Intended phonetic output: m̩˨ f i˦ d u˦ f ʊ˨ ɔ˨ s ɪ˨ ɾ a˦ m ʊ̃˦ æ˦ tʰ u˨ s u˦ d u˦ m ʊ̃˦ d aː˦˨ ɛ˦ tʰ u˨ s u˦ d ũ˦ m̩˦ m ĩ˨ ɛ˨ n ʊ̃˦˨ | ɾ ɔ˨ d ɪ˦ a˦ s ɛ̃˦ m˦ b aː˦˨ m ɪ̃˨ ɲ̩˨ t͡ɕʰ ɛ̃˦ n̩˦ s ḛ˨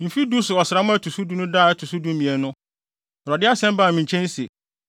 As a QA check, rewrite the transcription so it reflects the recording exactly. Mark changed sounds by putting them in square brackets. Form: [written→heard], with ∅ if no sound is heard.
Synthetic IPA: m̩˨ f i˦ d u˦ [f→s] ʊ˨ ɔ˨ s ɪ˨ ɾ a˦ m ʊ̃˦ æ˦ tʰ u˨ s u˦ d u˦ [m→n] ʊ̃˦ d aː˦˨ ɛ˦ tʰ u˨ s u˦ d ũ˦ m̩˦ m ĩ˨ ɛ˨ n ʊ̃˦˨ | ɾ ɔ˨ d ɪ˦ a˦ s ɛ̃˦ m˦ b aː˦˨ m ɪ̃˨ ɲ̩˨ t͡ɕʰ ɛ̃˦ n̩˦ s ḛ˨